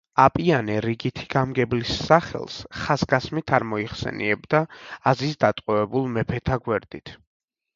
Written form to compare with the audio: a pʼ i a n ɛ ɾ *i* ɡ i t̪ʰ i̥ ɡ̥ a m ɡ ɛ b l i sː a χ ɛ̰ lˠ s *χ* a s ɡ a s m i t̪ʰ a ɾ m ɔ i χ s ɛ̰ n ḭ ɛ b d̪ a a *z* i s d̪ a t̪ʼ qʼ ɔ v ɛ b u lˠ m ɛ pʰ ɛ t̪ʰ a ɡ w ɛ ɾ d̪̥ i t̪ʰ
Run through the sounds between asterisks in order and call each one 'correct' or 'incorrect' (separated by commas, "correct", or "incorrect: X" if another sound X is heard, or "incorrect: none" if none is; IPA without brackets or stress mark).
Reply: correct, correct, correct